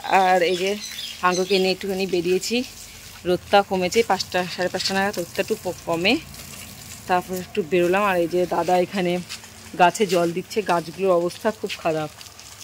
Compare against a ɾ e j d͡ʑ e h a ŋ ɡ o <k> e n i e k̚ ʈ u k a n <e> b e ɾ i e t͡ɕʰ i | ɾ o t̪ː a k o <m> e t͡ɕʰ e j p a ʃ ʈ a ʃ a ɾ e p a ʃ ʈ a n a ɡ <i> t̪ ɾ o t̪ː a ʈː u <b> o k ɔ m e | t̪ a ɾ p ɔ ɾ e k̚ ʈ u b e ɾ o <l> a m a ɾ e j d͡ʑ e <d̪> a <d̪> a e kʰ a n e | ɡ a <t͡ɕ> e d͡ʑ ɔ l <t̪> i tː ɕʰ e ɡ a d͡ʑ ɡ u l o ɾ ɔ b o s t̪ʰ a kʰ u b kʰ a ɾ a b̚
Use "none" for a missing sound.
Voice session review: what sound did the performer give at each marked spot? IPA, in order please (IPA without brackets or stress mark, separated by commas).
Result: k, i, m, a, p, l, d̪, d̪, t͡ɕʰ, d̪